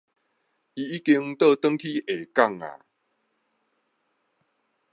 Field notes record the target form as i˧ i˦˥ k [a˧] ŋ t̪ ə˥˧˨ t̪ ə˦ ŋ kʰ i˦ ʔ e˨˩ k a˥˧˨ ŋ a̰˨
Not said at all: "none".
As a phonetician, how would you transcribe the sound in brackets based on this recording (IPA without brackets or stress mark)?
i˧